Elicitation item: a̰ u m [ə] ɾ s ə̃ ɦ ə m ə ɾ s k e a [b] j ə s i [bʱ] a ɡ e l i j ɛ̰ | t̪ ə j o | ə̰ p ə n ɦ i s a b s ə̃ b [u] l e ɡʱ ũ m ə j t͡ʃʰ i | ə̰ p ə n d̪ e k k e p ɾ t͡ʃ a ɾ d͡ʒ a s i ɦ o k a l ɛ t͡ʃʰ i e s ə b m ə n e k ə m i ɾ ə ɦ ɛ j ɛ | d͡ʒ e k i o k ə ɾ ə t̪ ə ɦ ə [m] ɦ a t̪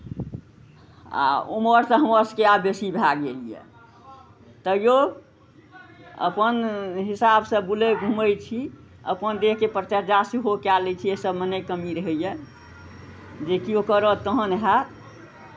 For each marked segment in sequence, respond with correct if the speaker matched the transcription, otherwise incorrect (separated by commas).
correct, correct, correct, correct, incorrect